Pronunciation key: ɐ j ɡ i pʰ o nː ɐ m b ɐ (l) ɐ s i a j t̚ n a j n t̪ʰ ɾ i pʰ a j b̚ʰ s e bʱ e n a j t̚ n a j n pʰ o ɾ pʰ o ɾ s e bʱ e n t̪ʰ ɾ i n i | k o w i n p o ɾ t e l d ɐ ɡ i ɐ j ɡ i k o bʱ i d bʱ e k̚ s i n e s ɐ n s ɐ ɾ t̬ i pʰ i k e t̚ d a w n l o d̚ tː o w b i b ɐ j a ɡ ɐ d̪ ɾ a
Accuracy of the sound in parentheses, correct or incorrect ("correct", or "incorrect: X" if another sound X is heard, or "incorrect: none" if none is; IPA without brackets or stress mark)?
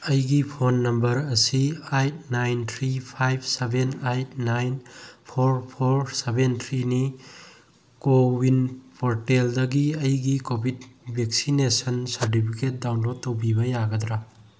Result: incorrect: ɾ